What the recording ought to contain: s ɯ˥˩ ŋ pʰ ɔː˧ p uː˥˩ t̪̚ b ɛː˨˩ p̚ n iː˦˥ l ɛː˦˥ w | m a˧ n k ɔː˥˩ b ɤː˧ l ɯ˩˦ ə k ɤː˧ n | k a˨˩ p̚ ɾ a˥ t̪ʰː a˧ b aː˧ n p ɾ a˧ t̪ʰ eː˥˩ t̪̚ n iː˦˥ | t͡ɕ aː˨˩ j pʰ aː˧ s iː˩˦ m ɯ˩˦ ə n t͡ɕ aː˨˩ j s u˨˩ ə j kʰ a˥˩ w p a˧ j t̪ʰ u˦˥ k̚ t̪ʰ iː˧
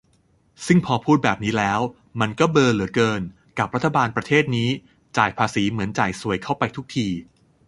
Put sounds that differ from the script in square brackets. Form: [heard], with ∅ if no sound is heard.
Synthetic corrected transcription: s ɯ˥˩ ŋ pʰ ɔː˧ [pʰ] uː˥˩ t̪̚ b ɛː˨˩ p̚ n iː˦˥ l ɛː˦˥ w | m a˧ n k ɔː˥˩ b ɤː˧ l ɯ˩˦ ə k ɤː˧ n | k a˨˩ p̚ ɾ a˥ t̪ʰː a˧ b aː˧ n p ɾ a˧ t̪ʰ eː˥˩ t̪̚ n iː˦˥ | t͡ɕ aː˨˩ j pʰ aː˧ s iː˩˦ m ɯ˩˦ ə n t͡ɕ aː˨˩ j s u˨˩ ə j kʰ a˥˩ w p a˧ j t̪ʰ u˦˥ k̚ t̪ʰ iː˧